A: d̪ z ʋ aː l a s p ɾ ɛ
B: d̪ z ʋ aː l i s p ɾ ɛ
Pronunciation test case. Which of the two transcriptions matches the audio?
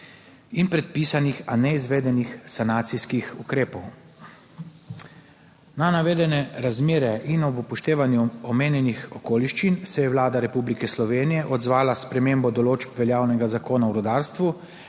A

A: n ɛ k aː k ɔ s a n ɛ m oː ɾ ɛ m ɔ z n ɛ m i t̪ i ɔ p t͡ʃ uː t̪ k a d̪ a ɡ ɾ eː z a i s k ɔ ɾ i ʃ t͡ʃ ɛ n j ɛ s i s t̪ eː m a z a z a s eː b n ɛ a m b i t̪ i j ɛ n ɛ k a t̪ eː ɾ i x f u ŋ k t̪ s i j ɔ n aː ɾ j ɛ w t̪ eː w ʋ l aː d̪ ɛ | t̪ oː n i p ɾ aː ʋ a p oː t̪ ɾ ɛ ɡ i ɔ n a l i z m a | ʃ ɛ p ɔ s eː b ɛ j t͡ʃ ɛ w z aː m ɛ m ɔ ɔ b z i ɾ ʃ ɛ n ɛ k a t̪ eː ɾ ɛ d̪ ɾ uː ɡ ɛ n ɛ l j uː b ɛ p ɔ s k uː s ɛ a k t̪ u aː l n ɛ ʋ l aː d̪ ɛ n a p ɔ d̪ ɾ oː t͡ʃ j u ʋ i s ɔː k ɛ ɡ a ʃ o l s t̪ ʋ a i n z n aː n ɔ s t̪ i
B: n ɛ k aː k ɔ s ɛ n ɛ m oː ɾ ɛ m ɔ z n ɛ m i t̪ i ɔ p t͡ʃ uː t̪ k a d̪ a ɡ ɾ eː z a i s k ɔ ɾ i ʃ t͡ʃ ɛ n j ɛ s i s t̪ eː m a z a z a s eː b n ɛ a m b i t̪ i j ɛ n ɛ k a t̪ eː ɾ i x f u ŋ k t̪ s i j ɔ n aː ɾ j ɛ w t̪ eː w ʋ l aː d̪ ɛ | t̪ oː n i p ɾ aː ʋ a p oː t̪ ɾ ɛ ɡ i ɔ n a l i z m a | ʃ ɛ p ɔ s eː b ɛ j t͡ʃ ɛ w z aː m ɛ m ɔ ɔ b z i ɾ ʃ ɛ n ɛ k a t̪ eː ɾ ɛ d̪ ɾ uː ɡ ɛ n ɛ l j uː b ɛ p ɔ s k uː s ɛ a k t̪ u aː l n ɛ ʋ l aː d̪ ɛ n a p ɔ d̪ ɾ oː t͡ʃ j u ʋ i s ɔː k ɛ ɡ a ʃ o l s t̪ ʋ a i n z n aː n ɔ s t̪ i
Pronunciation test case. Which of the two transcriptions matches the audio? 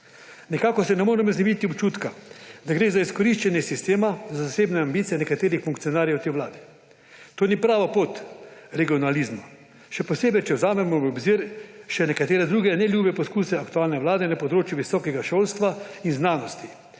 B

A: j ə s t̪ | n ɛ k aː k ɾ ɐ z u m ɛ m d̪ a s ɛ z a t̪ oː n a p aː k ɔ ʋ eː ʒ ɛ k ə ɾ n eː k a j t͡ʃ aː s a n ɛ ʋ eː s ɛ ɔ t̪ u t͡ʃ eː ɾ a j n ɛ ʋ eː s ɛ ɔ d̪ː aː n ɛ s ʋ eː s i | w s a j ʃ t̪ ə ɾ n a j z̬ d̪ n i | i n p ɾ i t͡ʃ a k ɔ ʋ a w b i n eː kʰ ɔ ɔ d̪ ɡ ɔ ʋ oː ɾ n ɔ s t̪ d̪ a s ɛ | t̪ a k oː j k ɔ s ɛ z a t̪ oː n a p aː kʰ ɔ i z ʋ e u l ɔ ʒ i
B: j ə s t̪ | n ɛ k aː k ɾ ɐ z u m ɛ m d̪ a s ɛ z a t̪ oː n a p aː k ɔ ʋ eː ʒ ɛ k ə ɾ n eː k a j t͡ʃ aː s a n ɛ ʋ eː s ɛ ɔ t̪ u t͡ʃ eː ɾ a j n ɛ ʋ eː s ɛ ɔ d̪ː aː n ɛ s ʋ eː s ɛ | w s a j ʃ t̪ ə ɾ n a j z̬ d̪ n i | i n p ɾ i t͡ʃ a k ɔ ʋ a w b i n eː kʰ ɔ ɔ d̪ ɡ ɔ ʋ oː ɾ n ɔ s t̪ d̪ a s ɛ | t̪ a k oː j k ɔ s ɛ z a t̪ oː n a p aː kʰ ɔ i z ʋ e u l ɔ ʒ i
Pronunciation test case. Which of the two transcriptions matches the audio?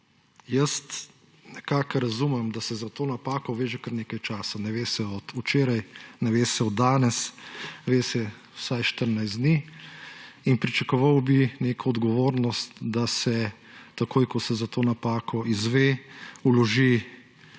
B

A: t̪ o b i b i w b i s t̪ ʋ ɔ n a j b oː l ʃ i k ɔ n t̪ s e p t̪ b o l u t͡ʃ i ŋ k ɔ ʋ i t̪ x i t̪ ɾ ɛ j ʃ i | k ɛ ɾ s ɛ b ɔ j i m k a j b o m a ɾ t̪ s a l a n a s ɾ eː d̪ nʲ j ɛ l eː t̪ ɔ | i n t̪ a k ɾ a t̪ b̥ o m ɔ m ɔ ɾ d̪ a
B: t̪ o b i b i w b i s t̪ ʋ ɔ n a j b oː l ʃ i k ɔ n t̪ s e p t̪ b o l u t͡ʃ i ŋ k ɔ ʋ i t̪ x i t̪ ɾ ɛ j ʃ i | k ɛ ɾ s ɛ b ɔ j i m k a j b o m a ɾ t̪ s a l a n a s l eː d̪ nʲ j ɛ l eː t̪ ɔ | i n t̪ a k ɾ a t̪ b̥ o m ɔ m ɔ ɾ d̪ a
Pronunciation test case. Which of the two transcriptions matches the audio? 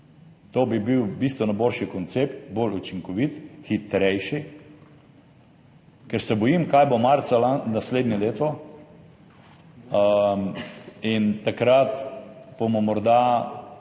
B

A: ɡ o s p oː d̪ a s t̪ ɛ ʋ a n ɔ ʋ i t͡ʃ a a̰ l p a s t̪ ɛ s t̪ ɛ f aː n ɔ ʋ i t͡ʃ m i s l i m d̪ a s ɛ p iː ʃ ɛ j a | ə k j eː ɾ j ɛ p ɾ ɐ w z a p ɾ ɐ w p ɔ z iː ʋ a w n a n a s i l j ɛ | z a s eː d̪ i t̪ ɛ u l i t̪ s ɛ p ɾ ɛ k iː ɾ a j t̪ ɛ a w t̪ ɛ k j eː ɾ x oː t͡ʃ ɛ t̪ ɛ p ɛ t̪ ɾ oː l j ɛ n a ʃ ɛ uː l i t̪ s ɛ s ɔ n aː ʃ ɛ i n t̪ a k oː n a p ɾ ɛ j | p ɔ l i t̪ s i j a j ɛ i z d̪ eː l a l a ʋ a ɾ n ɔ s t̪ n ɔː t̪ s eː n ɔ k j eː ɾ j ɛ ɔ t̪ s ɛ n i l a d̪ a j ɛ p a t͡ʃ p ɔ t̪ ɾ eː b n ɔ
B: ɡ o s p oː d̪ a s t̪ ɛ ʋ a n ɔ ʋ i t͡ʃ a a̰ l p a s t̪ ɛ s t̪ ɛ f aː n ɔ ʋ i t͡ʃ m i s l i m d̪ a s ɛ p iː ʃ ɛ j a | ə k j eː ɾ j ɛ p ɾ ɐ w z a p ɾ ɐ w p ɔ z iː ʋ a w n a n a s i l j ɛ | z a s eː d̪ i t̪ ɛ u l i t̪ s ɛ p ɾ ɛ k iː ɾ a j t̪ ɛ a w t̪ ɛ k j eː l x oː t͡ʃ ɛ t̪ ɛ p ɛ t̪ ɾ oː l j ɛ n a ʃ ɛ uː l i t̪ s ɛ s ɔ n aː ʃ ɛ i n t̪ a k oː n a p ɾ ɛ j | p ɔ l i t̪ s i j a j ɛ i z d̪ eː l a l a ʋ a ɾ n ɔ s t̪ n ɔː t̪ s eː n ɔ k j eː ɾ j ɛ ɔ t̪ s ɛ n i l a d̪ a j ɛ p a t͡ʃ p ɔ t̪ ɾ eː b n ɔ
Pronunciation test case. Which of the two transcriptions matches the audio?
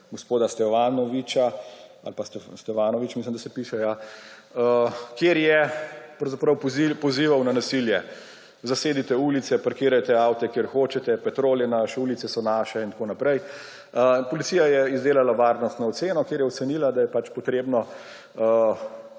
A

